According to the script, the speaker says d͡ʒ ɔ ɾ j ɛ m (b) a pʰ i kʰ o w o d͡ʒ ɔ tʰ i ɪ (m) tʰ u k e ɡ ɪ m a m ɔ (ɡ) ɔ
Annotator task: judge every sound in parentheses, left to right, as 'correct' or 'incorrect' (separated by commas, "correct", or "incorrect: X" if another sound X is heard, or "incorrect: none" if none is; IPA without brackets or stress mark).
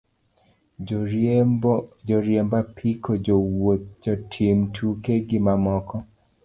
correct, correct, incorrect: k